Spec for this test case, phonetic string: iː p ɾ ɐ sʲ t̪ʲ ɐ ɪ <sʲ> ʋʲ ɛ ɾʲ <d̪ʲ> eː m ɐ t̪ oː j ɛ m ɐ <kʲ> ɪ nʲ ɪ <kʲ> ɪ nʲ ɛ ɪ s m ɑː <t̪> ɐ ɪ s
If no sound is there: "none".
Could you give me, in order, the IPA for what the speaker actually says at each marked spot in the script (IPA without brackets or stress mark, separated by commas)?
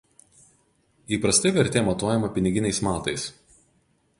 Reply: none, t̪ʲ, pʲ, ɡʲ, t̪